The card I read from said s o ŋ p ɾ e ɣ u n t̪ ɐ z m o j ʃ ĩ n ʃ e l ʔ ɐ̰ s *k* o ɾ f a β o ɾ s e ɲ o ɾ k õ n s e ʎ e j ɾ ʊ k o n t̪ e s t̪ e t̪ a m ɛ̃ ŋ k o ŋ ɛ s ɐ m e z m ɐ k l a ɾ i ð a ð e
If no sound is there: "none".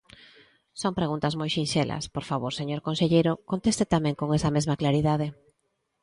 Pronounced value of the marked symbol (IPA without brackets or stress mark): p